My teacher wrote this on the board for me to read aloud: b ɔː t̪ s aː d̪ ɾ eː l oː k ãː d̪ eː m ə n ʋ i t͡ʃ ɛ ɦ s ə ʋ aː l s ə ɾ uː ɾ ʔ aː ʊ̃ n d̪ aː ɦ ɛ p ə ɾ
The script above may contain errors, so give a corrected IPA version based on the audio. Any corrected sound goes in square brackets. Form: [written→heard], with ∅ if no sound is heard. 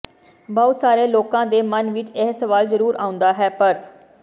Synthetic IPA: b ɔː t̪ s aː [d̪→∅] ɾ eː l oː k ãː d̪ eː m ə n ʋ [i→ɪ] t͡ʃ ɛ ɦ s ə ʋ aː l [s→z] ə ɾ uː ɾ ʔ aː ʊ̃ n d̪ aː ɦ [ɛ→ɛː] p ə ɾ

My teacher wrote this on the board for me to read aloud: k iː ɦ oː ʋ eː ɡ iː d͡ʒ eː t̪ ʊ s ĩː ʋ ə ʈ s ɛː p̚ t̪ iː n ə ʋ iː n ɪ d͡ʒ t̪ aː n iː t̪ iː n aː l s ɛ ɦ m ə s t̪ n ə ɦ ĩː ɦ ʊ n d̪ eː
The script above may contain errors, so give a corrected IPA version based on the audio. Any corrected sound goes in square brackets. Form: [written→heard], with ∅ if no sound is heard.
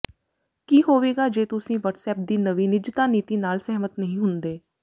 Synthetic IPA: k iː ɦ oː ʋ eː ɡ [iː→aː] d͡ʒ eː t̪ ʊ s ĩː ʋ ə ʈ s ɛː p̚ [t̪→d̪] iː n ə ʋ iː n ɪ d͡ʒ t̪ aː n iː t̪ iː n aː l s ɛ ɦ m ə [s→∅] t̪ n ə ɦ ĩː ɦ ʊ n d̪ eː

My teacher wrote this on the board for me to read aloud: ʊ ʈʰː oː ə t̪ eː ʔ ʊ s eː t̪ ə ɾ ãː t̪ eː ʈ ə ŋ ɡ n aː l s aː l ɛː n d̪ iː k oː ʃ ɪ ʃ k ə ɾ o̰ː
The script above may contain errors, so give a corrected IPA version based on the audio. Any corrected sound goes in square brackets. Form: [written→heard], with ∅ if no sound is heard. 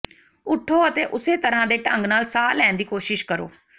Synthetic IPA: ʊ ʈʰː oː ə t̪ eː ʔ ʊ s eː t̪ ə ɾ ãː [t̪→d̪] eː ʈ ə ŋ ɡ n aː l s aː l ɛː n d̪ iː k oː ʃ ɪ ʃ k ə ɾ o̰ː

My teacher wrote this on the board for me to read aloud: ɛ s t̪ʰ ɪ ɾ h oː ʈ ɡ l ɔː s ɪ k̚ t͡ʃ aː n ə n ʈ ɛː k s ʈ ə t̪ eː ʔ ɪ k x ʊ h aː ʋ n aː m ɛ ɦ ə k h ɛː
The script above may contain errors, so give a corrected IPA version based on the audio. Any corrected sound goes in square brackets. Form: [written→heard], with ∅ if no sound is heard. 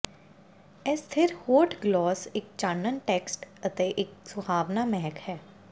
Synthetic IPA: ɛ s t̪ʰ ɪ ɾ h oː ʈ ɡ l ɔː s ɪ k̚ t͡ʃ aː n ə n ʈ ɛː k s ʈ ə t̪ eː ʔ ɪ k [x→s] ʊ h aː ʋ n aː m ɛ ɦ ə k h ɛː

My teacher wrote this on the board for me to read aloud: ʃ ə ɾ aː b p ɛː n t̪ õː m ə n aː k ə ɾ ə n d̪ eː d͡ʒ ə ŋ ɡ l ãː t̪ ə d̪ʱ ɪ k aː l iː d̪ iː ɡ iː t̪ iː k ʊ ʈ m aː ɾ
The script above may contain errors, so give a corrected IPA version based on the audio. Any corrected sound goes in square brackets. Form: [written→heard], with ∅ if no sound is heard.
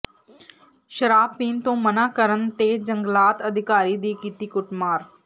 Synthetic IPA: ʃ ə ɾ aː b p [ɛː→iː] n t̪ õː m ə n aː k ə ɾ ə n [d̪→t̪] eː d͡ʒ ə ŋ ɡ l [ãː→aː] t̪ ə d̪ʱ ɪ k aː [l→ɾ] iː d̪ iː [ɡ→k] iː t̪ iː k ʊ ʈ m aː ɾ

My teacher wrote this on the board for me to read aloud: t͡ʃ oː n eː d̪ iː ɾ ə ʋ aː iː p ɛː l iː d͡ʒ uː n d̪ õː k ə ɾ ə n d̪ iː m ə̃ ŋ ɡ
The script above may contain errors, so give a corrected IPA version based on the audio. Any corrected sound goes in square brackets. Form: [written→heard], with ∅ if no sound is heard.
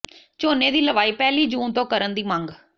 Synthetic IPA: t͡ʃ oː n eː d̪ iː [ɾ→l] ə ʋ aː iː p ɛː l iː d͡ʒ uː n [d̪→t̪] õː k ə ɾ ə n d̪ iː m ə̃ ŋ ɡ

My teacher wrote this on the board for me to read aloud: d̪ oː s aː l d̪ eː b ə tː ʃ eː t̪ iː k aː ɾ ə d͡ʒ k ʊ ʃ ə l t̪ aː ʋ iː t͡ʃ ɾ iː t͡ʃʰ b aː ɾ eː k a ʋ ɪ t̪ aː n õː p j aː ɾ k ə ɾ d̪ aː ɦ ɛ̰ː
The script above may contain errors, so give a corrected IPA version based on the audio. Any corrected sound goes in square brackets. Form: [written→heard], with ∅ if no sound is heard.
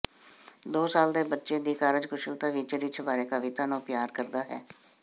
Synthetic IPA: d̪ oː s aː l d̪ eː b ə tː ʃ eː [t̪→d̪] iː k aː ɾ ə d͡ʒ k ʊ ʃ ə l t̪ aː ʋ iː t͡ʃ ɾ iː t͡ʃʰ b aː ɾ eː k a ʋ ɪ t̪ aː n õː p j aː ɾ k ə ɾ d̪ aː ɦ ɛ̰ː

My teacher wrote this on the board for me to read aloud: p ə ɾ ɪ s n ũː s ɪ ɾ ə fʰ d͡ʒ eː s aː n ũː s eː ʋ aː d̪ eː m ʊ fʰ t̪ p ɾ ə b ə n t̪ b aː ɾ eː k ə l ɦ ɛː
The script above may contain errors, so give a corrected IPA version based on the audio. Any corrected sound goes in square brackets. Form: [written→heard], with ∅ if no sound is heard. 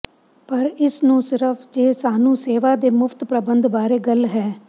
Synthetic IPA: p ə ɾ ɪ s n ũː s ɪ ɾ ə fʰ d͡ʒ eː s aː n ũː s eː ʋ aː d̪ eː m ʊ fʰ t̪ p ɾ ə b ə n [t̪→d̪] b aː ɾ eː [k→ɡ] ə l ɦ ɛː

